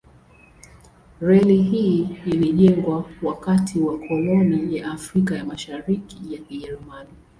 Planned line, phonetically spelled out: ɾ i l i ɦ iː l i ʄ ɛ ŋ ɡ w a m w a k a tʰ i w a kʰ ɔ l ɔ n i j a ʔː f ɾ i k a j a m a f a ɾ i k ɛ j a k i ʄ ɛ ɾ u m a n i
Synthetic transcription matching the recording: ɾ ɛ l i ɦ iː l i ʄ ɛ ŋ ɡ w a w a k a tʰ i w a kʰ ɔ l ɔ n i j a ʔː f ɾ i k a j a m a ʃ a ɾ i k i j a k i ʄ ɛ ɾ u m a n i